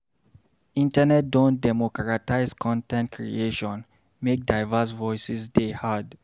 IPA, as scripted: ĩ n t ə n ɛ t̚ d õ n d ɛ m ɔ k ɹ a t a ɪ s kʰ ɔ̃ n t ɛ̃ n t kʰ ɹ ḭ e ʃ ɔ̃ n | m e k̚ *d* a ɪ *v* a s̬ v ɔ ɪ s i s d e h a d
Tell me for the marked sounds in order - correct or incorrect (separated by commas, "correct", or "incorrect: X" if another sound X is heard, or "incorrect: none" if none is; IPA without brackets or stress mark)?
correct, correct